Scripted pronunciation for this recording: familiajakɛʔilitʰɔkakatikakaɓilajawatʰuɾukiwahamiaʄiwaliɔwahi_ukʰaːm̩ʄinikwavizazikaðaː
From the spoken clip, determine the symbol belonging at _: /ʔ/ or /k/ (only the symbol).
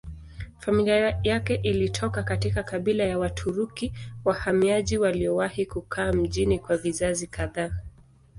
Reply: k